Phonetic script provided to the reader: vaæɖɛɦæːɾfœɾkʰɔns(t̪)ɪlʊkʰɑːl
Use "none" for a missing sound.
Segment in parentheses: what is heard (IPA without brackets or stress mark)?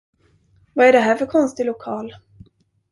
t̪